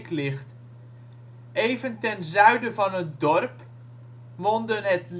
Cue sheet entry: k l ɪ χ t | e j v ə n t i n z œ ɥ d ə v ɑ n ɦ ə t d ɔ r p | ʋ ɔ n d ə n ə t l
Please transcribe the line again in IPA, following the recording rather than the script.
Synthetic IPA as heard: k l ɪ χ t | e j v ə n t ɛ n z œ ɥ d ə v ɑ n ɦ ə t d ɔ r p | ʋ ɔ n d ə n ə t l